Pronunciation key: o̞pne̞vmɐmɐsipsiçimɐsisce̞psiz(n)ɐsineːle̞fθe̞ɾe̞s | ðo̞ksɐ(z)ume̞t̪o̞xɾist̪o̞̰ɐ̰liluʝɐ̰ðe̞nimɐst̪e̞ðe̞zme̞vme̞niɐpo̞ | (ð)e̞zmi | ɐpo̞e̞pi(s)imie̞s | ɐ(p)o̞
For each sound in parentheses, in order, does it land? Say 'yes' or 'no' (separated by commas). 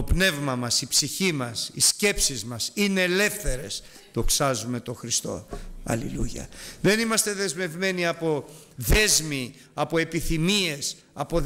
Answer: no, yes, yes, no, yes